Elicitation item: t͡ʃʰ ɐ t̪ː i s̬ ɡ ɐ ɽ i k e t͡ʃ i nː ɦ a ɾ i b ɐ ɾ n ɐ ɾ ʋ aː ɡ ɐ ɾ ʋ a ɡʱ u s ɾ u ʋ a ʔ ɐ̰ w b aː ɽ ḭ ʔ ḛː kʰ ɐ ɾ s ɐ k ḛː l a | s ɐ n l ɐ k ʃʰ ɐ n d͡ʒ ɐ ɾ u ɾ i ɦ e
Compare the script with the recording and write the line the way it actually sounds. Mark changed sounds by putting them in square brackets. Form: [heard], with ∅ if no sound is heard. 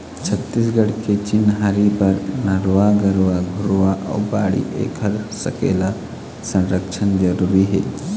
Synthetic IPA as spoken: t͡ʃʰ ɐ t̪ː i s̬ ɡ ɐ ɽ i k e t͡ʃ i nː ɦ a ɾ i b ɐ ɾ n ɐ ɾ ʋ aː ɡ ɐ ɾ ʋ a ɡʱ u [∅] ɾ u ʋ a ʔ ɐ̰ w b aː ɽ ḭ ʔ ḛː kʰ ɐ ɾ s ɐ k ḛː l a | s ɐ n [ɾ] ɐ k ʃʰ ɐ n d͡ʒ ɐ ɾ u ɾ i ɦ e

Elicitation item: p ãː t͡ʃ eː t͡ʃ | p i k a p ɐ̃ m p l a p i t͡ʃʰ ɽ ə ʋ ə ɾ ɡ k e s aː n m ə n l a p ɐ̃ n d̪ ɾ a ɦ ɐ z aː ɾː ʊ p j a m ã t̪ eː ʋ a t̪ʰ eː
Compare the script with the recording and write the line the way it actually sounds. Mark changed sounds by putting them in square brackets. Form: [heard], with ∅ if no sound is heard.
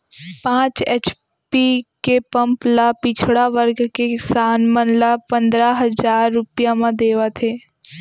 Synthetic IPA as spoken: p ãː t͡ʃ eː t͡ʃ | p i k [e] p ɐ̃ m p l a p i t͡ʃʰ ɽ [a] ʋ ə ɾ ɡ k e s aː n m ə n l a p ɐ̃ n d̪ ɾ a ɦ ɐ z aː ɾː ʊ p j a m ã [d̪] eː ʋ a t̪ʰ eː

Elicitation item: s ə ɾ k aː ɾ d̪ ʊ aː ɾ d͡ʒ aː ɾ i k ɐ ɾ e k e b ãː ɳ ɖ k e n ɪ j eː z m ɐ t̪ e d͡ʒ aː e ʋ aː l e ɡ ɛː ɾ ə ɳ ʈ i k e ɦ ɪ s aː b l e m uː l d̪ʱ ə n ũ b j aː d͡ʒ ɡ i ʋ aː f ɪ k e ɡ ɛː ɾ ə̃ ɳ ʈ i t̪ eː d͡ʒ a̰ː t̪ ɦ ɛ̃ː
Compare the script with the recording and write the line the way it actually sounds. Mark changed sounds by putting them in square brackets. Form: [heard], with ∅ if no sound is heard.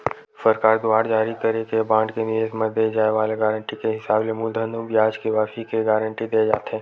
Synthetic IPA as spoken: s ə ɾ k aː ɾ d̪ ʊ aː ɾ d͡ʒ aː ɾ i k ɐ ɾ e k e b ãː ɳ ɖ k e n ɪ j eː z m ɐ [d̪] e d͡ʒ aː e ʋ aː l e ɡ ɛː ɾ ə ɳ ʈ i k e ɦ ɪ s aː b l e m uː l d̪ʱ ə n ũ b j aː d͡ʒ [k] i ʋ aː f [i] k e ɡ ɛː ɾ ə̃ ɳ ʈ i [d̪] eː d͡ʒ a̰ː t̪ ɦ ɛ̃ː

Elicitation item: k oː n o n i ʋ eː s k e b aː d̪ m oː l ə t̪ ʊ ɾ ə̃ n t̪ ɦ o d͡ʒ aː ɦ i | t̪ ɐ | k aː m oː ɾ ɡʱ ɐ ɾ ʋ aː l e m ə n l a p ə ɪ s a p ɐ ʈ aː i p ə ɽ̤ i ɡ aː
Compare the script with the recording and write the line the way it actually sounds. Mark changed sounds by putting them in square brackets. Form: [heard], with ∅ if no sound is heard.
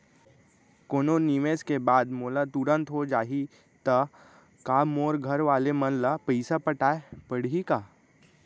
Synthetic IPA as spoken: k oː n o n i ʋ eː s k e b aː d̪ m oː l [a] t̪ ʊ ɾ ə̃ n t̪ ɦ o d͡ʒ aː ɦ i | t̪ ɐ | k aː m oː ɾ ɡʱ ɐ ɾ ʋ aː l e m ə n l a p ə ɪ s a p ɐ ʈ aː [e] p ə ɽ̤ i [k] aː

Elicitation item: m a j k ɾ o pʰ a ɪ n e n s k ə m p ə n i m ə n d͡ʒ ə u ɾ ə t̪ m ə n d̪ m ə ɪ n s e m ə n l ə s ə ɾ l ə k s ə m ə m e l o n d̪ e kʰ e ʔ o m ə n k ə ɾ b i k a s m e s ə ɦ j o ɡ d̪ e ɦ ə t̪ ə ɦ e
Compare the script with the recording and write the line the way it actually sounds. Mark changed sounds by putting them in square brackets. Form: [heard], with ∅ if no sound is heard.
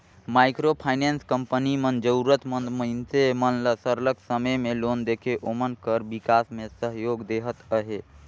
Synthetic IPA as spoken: m a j k ɾ o pʰ a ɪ n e n s k ə m p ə n i m ə n d͡ʒ ə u ɾ ə t̪ m ə n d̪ m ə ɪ n s e m ə n l ə s ə ɾ l ə k s ə m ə m e l o n d̪ e kʰ e ʔ o m ə n k ə ɾ b i k a s m e s ə ɦ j o ɡ d̪ e ɦ ə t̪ ə ɦ e

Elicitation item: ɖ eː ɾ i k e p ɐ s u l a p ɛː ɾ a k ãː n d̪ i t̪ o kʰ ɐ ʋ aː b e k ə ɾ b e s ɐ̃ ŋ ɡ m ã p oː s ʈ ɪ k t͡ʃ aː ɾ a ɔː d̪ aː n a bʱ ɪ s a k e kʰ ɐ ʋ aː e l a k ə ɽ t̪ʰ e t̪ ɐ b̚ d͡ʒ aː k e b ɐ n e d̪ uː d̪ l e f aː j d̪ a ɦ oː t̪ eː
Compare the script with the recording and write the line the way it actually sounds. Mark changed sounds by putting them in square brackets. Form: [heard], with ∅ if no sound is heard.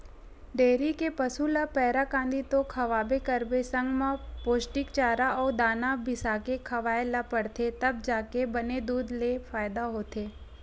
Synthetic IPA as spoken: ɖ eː ɾ i k e p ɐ s u l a p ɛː ɾ a k ãː n d̪ i t̪ o kʰ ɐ ʋ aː b e k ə ɾ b e s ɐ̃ ŋ ɡ m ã p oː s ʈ ɪ k t͡ʃ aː ɾ a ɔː d̪ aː n a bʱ ɪ s a k e kʰ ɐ ʋ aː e l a [p] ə ɽ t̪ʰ e t̪ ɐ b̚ d͡ʒ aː k e b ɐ n e d̪ uː d̪ l e f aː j d̪ a ɦ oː t̪ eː

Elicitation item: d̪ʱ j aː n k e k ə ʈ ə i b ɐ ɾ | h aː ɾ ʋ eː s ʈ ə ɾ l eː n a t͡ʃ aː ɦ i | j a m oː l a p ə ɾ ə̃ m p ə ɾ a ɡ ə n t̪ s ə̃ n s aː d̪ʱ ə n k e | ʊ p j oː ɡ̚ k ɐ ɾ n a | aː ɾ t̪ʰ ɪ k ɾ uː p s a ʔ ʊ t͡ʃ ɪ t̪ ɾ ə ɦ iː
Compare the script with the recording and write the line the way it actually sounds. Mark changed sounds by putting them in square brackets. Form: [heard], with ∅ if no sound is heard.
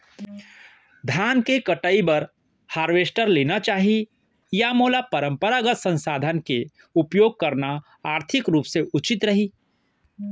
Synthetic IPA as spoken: d̪ʱ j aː n k e k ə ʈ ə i b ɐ ɾ | h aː ɾ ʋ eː s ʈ ə ɾ l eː n a t͡ʃ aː ɦ i | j a m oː l a p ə ɾ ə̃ m p ə ɾ a ɡ ə [∅] t̪ s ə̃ n s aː d̪ʱ ə n k e | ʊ p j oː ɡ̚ k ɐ ɾ n a | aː ɾ t̪ʰ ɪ k ɾ uː p s [e] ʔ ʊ t͡ʃ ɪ t̪ ɾ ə ɦ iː

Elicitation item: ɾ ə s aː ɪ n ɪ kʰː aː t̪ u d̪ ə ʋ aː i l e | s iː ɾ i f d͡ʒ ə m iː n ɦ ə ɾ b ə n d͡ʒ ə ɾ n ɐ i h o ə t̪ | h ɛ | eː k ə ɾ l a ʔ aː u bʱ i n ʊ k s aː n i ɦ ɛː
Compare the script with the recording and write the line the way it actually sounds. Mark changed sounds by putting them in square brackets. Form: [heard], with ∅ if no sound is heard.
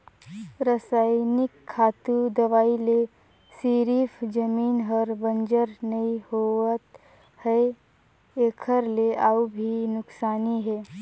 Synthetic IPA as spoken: ɾ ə s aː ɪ n ɪ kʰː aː t̪ u d̪ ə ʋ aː i l e | s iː ɾ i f d͡ʒ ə m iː n ɦ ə ɾ b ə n d͡ʒ ə ɾ n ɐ i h o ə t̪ | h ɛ | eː [kʰ] ə ɾ l [e] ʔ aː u bʱ i n ʊ k s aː n i ɦ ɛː

